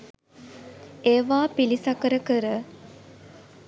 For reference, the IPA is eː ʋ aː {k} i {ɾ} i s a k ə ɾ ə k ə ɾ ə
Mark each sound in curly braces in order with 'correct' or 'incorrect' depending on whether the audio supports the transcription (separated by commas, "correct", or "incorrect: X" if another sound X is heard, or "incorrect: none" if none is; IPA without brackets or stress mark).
incorrect: p, incorrect: l